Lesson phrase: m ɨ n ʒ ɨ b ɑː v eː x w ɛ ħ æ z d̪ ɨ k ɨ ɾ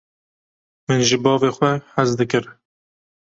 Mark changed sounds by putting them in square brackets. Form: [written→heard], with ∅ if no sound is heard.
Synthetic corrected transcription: m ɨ n ʒ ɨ b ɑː v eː x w ɛ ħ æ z d̪ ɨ k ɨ ɾ